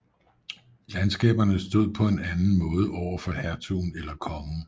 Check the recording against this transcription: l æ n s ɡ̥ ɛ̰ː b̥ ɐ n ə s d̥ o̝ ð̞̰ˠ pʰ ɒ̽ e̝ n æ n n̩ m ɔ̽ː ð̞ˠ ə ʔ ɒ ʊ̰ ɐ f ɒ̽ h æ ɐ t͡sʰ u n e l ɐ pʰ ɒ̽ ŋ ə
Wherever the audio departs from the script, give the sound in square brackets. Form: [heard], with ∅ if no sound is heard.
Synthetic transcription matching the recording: l æ n s ɡ̥ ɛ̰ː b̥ ɐ n ə s d̥ o̝ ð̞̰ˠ pʰ ɒ̽ e̝ n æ n n̩ m ɔ̽ː ð̞ˠ ə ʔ ɒ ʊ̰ ɐ f ɒ̽ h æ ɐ t͡sʰ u n e l ɐ [kʰ] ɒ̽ ŋ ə

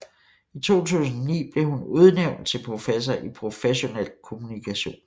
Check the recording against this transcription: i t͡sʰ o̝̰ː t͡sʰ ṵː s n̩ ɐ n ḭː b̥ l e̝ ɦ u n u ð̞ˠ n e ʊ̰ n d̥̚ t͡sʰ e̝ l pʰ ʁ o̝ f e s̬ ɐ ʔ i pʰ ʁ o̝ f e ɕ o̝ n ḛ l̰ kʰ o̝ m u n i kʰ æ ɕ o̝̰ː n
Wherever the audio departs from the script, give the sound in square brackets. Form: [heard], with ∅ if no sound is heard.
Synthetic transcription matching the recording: i t͡sʰ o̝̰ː t͡sʰ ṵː s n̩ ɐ n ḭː b̥ l e̝ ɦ u n u ð̞ˠ n e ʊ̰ n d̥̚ t͡sʰ e̝ l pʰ ʁ o̝ f e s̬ ɐ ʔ i pʰ ʁ o̝ f e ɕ o̝ n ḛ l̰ kʰ o̝ m u n i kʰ æ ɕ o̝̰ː n

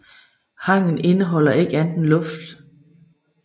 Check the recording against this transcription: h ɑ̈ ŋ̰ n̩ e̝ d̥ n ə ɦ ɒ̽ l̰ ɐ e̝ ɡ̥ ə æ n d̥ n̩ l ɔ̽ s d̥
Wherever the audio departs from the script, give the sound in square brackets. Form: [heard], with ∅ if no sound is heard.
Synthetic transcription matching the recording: h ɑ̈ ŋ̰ n̩ e̝ [∅] n ə ɦ ɒ̽ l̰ ɐ e̝ ɡ̥ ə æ n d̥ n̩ l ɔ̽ [f] d̥

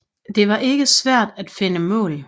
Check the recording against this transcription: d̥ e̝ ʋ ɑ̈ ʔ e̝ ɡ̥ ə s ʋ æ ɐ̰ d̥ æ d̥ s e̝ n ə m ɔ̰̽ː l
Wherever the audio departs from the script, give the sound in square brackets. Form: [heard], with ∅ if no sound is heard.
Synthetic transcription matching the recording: d̥ e̝ ʋ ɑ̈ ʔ e̝ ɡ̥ ə s ʋ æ ɐ̰ d̥ æ d̥ [f] e̝ n ə m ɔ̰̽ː l

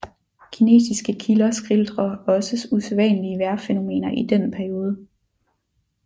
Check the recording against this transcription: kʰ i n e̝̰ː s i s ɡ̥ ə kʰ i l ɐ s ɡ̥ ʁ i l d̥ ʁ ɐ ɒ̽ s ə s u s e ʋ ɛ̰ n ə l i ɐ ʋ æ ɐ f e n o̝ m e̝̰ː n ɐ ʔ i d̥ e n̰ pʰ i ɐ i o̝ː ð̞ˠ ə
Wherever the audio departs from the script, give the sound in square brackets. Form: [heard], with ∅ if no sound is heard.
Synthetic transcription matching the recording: kʰ i n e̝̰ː s i s ɡ̥ ə kʰ i l ɐ s ɡ̥ ʁ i l d̥ ʁ ɐ ɒ̽ s ə s u s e ʋ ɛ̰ n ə l i [ə] ʋ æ ɐ f e n o̝ m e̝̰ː n ɐ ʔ i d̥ e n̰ pʰ [æ] ɐ i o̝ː ð̞ˠ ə

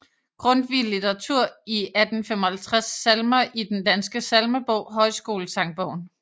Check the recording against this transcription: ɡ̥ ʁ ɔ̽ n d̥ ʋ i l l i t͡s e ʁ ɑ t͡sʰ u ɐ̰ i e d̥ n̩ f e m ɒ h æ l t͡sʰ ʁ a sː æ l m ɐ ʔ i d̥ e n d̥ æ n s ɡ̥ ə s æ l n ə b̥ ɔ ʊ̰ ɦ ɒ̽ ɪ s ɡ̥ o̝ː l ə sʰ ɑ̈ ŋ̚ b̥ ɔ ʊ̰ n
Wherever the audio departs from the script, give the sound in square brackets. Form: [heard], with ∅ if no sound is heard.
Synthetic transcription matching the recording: ɡ̥ ʁ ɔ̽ n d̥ ʋ i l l i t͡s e ʁ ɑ t͡sʰ u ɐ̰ i [æ] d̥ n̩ f e m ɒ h æ l t͡sʰ ʁ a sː æ l m ɐ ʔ i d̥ e n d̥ æ n s ɡ̥ ə s æ l [m] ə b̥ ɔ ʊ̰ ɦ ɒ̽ ɪ s ɡ̥ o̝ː l ə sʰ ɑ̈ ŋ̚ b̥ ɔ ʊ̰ n

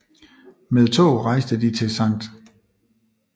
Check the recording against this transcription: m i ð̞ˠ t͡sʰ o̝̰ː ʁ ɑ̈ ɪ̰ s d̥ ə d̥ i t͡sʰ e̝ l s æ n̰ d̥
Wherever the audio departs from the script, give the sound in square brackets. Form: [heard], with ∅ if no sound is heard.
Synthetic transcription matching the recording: m [e] ð̞ˠ t͡sʰ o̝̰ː ʁ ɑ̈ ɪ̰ s d̥ ə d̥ i t͡sʰ e̝ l s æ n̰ d̥

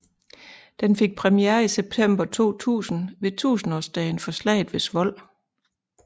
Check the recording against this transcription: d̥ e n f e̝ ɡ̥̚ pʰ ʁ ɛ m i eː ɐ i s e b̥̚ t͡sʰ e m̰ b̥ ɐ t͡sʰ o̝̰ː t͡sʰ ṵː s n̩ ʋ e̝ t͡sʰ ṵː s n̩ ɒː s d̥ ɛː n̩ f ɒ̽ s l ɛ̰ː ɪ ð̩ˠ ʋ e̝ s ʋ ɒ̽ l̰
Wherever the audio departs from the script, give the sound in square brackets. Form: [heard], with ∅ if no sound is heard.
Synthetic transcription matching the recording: d̥ e n f e̝ ɡ̥̚ pʰ ʁ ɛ m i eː ɐ i s e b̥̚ t͡sʰ e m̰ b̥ ɐ t͡sʰ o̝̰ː t͡sʰ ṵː s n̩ ʋ e̝ t͡sʰ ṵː s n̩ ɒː s d̥ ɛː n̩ f ɒ̽ s l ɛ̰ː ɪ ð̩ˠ ʋ e̝ s ʋ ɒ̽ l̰

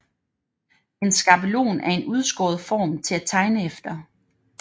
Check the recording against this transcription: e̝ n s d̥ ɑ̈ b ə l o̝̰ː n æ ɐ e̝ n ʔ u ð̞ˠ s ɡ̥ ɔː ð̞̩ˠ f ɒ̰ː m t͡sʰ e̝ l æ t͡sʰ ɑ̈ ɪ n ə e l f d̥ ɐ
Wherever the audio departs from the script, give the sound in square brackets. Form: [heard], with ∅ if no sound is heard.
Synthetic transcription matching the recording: e̝ n s [ɡ̥] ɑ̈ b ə l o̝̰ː n æ ɐ e̝ n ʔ u ð̞ˠ s ɡ̥ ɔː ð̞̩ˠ f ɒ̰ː m t͡sʰ e̝ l æ t͡sʰ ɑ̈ ɪ n ə e [∅] f d̥ ɐ

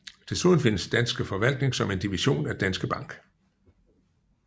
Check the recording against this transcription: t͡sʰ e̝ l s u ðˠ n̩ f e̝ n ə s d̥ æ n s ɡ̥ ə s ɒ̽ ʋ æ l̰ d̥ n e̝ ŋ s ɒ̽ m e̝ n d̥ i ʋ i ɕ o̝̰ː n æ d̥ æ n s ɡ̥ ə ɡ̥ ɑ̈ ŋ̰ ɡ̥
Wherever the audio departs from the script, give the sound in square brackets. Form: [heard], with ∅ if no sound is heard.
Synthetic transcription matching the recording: t͡sʰ e̝ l s u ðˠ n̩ f e̝ n ə s d̥ æ n s ɡ̥ ə [f] ɒ̽ ʋ æ l̰ d̥ n e̝ ŋ s ɒ̽ m e̝ n d̥ i ʋ i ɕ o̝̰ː n æ d̥ æ n s ɡ̥ ə [b̥] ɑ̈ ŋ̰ ɡ̥

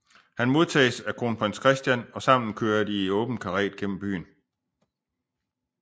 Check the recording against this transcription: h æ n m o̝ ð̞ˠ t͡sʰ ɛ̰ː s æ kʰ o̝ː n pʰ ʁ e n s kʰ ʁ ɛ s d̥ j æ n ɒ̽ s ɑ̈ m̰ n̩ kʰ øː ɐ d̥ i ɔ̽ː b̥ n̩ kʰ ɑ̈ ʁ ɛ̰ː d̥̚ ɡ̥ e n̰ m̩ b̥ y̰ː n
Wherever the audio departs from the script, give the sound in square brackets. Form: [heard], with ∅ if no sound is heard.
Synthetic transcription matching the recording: h æ n m o̝ ð̞ˠ t͡sʰ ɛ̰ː s æ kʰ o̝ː n pʰ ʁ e n s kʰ ʁ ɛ s d̥ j æ n ɒ̽ s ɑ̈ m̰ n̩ kʰ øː ɐ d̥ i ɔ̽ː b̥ n̩ kʰ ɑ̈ ʁ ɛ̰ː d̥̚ ɡ̥ e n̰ m̩ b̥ y̰ː n

